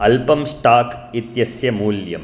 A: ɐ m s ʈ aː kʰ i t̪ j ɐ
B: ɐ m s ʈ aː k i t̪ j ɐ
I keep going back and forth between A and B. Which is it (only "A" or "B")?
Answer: B